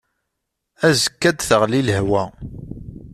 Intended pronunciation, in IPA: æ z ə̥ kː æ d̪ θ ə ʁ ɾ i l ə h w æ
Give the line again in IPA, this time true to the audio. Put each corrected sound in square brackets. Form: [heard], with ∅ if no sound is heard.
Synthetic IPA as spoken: æ z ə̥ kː æ d̪ θ ə ʁ [l] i l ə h w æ